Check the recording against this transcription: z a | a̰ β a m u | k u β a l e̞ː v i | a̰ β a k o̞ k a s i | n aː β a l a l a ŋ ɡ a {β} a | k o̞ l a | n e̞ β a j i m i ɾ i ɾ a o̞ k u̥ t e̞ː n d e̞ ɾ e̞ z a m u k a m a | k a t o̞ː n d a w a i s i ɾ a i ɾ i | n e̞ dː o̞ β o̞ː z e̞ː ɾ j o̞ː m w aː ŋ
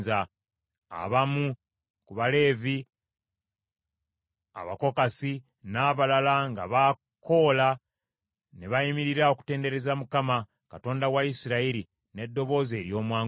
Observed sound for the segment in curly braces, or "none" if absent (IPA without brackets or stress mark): β